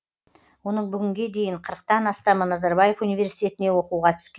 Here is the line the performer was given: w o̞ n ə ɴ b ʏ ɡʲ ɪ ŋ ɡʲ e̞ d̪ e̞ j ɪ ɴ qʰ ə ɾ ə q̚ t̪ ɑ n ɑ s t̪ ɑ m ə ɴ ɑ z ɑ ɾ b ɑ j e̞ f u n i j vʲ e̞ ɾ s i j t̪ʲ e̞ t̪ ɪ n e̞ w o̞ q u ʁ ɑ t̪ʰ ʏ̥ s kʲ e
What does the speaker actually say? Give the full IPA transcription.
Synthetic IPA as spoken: w o̞ n ə ɴ b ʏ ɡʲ ɪ ŋ ɡʲ e̞ d̪ e̞ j ɪ ɴ qʰ ə ɾ ə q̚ t̪ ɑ n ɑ s t̪ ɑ m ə n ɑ z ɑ ɾ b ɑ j e̞ f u n i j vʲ e̞ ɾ s i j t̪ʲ e̞ t̪ ɪ n e̞ w o̞ q u ʁ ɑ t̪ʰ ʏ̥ s kʲ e

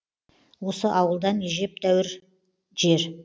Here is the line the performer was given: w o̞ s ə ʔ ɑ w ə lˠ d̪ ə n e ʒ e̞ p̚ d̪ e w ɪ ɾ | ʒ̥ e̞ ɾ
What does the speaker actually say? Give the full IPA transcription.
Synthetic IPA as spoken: w o̞ s ə ʔ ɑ w ə lˠ d̪ ɑ n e ʒ e̞ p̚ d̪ æ w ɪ ɾ | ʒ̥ e̞ ɾ

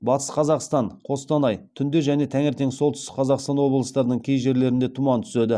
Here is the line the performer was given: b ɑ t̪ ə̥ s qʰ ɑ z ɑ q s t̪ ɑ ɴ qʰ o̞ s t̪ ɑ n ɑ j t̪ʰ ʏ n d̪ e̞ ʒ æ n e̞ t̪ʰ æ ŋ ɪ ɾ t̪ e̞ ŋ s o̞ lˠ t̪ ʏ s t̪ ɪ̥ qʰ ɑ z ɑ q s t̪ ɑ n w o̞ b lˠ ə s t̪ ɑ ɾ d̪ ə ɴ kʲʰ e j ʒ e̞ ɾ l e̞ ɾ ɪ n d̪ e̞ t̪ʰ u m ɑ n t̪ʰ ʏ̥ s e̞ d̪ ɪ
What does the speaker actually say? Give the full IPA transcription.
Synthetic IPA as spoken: b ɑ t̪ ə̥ s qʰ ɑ z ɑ q s t̪ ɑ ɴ qʰ o̞ s t̪ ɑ n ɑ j t̪ʰ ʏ n d̪ e̞ ʒ æ n e̞ t̪ʰ æ ŋ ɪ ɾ t̪ e̞ ŋ s o̞ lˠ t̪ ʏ s t̪ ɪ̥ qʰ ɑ z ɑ q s t̪ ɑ n w o̞ b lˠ ə s t̪ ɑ ɾ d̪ ə ɴ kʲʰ e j ʒ e̞ ɾ l e̞ ɾ ɪ n d̪ e̞ t̪ʰ u m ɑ n t̪ʰ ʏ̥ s e̞ d̪ ɪ

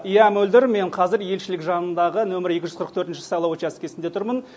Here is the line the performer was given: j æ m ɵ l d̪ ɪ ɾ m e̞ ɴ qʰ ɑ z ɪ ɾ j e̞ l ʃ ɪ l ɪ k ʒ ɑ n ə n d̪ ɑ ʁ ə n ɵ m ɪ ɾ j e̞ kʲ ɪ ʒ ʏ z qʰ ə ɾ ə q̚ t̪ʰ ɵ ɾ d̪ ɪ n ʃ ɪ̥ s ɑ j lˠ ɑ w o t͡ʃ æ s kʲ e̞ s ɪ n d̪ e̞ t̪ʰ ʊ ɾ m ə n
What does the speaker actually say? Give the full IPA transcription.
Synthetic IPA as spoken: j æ m ɵ l d̪ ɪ ɾ m e̞ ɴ qʰ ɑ z ɪ ɾ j e̞ l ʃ ɪ l ɪ k ʒ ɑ n ə n d̪ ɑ ʁ ə n ɵ m ɪ ɾ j e̞ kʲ ɪ ʒ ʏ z qʰ ə ɾ ə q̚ t̪ʰ ɵ ɾ t̪ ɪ n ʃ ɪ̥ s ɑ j lˠ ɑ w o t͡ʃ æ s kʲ e̞ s ɪ n d̪ e̞ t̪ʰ ʊ ɾ m ə n

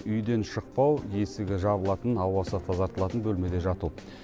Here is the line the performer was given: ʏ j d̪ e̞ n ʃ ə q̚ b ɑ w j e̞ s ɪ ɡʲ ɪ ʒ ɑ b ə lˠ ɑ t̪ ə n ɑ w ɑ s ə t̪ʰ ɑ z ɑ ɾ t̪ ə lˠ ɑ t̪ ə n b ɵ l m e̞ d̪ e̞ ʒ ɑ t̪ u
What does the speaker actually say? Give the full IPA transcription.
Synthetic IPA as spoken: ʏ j d̪ e̞ n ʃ ə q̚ p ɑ w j e̞ s ɪ ɡʲ ɪ ʒ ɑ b ə lˠ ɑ t̪ ə n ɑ w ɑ s ə t̪ʰ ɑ z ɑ ɾ t̪ ə lˠ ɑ t̪ ə n b ɵ l m e̞ d̪ e̞ ʒ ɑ t̪ u

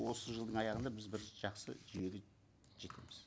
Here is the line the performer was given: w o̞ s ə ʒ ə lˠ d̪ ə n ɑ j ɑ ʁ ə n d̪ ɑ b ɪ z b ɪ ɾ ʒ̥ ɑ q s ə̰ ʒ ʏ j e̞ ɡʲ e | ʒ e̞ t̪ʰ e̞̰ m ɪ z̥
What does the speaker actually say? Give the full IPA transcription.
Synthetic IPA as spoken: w o̞ s ə ʒ ə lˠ d̪ ə ɴ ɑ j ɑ ʁ ə n d̪ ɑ b ɪ z b ɪ ɾ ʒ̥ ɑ q s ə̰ ʒ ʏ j e̞ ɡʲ e | ʒ e̞ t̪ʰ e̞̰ m ɪ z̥

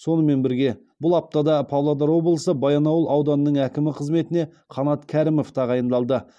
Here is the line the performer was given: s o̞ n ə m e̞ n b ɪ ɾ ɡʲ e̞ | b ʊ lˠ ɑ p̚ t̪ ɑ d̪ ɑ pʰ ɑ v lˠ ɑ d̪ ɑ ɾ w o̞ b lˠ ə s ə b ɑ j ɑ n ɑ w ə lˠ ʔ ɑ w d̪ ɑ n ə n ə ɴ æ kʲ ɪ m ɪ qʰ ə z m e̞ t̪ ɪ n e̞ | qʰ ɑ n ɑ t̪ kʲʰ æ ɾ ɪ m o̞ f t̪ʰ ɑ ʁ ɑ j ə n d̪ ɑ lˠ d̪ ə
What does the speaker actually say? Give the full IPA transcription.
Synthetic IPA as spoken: s o̞ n ə m e̞ n b ɪ ɾ ɡʲ e̞ | b ʊ lˠ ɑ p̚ t̪ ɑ d̪ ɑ pʰ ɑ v lˠ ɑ d̪ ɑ ɾ w o̞ b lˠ ə s ə b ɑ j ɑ n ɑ w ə lˠ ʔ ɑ w d̪ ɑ n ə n ə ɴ æ kʲ ɪ m ɪ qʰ ə z m e̞ t̪ ɪ n e̞ | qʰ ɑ n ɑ t̪ kʲʰ æ ɾ ɪ m o̞ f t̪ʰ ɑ ʁ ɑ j ə n d̪ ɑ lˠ d̪ ə

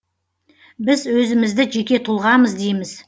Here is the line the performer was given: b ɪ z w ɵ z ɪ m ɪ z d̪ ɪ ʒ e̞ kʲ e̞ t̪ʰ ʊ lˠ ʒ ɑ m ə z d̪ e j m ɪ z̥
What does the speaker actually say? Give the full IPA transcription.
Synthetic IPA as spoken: b ɪ z w ɵ z ɪ m ɪ z d̪ ɪ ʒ e̞ kʲ e̞ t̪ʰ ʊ lˠ ʁ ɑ m ə z d̪ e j m ɪ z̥

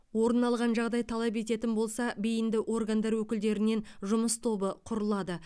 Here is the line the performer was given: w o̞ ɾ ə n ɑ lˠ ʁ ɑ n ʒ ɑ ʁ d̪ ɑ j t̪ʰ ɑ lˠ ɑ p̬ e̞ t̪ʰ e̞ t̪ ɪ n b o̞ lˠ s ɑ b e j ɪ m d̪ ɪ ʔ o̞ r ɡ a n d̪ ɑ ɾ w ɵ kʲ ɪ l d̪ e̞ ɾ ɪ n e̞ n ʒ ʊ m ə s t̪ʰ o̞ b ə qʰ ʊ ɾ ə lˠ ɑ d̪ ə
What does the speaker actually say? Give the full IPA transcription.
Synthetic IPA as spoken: w o̞ ɾ ə n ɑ lˠ ʁ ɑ n ʒ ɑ ʁ d̪ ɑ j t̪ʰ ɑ lˠ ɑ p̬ e̞ t̪ e̞ t̪ ɪ n b o̞ lˠ s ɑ b e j ɪ n d̪ ɪ ʔ o̞ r ɡ a n d̪ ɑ ɾ w ɵ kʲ ɪ l d̪ e̞ ɾ ɪ n e̞ n ʒ ʊ m ə s t̪ʰ o̞ b ə qʰ ʊ ɾ ə lˠ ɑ d̪ ə

